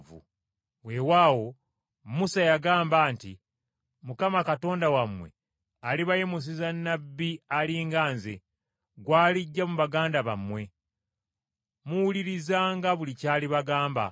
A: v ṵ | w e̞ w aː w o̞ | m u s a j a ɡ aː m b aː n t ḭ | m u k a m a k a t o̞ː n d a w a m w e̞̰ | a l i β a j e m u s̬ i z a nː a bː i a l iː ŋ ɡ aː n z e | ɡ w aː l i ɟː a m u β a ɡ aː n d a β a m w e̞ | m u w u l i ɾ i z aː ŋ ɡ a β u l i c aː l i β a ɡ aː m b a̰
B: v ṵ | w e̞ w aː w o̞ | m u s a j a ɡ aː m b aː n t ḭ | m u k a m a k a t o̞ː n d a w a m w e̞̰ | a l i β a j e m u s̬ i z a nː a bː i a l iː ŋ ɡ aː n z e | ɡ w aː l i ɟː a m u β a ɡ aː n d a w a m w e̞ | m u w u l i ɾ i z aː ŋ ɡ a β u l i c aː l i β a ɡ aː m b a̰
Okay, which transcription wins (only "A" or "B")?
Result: A